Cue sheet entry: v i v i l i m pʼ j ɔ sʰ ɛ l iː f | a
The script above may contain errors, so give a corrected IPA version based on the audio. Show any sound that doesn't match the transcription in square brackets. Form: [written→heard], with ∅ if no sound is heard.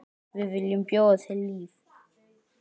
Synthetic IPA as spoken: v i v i l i m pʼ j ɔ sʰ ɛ l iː f | a